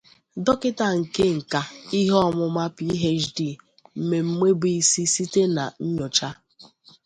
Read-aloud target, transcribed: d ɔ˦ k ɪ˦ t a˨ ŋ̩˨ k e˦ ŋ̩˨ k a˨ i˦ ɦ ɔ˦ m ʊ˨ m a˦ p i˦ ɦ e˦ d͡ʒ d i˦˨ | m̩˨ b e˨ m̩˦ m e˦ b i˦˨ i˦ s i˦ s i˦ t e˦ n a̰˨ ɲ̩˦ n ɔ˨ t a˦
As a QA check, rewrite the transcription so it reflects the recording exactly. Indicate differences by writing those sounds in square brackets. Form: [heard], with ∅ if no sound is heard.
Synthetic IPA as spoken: d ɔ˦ k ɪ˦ t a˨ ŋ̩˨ k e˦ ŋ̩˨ k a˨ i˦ ɦ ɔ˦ m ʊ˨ m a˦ p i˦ ɦ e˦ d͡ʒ d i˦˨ | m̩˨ [m] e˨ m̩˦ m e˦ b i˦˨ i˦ s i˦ s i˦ t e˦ n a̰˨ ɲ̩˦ [ɲ] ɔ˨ [t͡ʃ] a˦